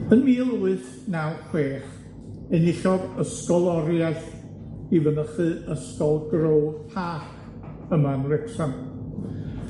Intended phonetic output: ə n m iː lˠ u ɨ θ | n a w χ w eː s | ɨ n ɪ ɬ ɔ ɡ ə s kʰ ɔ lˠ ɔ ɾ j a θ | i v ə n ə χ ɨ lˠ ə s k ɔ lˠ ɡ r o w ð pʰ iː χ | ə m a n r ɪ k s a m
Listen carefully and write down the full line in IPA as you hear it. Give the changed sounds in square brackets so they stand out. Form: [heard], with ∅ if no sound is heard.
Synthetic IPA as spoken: ə n m iː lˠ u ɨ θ | n a w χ w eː [χ] | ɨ n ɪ ɬ ɔ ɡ ə s [k] ɔ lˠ ɔ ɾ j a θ | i v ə n ə χ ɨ [∅] ə s k ɔ lˠ ɡ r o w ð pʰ [aː] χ | ə m a n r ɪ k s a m